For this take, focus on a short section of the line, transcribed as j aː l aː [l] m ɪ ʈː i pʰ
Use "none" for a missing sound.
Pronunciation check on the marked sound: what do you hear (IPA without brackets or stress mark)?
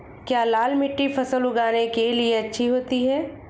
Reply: l